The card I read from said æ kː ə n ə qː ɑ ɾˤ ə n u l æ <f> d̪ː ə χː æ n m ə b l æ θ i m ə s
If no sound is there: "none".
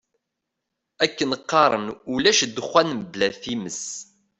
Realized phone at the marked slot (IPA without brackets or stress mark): ʃ